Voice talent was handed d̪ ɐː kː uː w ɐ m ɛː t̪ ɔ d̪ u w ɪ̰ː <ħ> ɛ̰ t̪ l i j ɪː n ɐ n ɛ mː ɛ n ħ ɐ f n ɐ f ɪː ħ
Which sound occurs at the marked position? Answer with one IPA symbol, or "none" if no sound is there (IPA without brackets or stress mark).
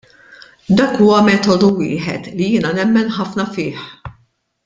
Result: ħ